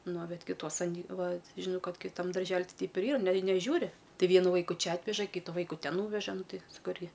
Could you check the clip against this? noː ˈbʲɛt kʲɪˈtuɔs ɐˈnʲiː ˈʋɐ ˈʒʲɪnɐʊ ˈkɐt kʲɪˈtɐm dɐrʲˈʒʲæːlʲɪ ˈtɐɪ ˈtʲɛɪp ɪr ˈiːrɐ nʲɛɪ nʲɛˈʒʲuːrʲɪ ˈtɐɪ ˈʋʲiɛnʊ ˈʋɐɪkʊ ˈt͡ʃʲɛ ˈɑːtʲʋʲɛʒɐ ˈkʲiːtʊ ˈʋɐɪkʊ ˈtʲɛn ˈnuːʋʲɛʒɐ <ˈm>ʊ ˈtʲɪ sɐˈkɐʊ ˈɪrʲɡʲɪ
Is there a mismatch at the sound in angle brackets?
yes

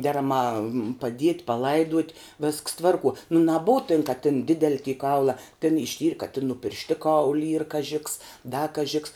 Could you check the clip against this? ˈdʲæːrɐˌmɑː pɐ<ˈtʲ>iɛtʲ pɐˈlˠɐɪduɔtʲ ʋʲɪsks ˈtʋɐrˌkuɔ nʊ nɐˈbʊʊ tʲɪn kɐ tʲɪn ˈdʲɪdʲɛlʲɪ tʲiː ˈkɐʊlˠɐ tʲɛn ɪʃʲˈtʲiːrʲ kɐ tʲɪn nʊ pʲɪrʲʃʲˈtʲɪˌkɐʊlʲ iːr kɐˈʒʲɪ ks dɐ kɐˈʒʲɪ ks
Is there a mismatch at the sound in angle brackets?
yes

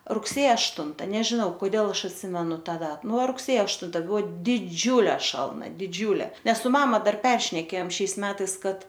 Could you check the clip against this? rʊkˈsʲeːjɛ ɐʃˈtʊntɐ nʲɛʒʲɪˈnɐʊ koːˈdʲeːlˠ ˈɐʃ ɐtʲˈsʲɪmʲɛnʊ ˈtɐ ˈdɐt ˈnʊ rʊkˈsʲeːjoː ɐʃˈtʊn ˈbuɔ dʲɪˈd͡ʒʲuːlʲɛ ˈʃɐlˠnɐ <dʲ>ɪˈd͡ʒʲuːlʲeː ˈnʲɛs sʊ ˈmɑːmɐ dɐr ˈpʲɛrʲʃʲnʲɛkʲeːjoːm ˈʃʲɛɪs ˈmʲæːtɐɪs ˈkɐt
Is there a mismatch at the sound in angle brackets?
no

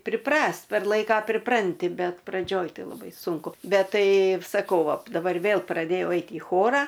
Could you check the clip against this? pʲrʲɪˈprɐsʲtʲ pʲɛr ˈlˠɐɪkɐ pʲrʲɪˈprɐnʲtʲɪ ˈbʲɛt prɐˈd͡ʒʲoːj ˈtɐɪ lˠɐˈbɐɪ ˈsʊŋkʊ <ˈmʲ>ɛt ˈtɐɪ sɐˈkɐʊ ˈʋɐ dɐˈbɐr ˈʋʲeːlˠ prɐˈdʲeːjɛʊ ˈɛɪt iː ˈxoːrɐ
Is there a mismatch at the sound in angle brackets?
yes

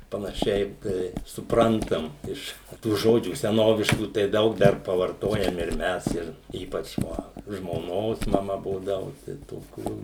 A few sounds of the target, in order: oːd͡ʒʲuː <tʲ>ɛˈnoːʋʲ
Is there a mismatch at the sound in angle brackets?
yes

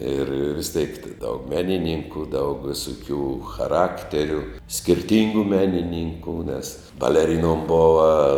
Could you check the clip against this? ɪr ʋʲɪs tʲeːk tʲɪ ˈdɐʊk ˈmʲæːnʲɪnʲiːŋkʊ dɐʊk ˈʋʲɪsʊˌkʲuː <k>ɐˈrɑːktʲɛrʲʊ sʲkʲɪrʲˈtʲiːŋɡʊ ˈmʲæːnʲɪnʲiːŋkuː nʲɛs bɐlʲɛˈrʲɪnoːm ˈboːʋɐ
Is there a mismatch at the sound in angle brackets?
yes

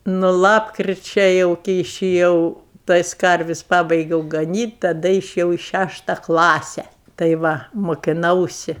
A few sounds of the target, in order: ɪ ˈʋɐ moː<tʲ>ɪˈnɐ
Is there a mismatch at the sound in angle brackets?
yes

